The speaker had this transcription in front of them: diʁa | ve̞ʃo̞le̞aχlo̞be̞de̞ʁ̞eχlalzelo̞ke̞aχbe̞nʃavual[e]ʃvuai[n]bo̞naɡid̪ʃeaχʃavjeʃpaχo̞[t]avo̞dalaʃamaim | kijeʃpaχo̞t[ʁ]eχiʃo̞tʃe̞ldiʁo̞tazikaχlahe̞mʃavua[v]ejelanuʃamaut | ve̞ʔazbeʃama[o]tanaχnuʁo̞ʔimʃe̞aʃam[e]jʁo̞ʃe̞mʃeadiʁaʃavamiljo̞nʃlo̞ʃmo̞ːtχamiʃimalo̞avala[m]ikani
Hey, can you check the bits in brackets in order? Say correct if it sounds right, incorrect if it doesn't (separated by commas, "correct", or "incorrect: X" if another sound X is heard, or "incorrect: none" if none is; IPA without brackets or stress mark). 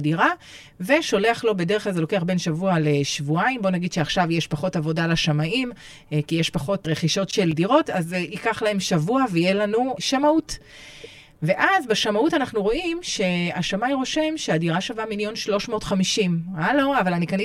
correct, incorrect: m, correct, correct, correct, incorrect: u, incorrect: a, incorrect: n